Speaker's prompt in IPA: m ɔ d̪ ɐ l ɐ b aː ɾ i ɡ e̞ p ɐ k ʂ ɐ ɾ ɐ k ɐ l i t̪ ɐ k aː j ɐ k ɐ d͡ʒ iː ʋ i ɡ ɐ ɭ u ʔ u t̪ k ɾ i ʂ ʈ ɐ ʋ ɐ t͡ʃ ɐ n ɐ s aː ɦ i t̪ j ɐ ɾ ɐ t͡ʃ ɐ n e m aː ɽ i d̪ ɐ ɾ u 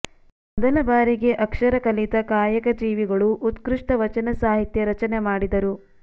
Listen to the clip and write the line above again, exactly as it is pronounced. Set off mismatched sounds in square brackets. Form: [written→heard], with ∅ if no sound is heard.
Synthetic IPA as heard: m ɔ d̪ ɐ l ɐ b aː ɾ i ɡ e̞ [p→ʔ] ɐ k ʂ ɐ ɾ ɐ k ɐ l i t̪ ɐ k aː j ɐ k ɐ d͡ʒ iː ʋ i ɡ ɐ ɭ u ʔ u t̪ k ɾ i ʂ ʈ ɐ ʋ ɐ t͡ʃ ɐ n ɐ s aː ɦ i t̪ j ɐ ɾ ɐ t͡ʃ ɐ n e m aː ɽ i d̪ ɐ ɾ u